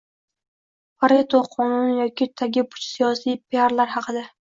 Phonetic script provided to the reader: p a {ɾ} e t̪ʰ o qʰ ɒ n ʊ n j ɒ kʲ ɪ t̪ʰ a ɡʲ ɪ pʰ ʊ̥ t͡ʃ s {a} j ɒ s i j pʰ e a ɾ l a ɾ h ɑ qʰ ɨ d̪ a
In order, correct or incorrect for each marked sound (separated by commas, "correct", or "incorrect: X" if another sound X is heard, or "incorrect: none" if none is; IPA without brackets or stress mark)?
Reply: correct, incorrect: i